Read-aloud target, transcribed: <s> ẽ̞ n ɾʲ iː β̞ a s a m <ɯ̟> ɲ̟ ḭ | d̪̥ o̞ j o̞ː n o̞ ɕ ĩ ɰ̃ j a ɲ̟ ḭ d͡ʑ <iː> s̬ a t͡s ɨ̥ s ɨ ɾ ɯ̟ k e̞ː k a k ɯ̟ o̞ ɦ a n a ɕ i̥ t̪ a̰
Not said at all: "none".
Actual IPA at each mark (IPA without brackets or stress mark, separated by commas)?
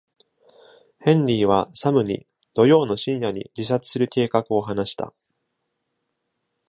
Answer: h, ɯ̟, i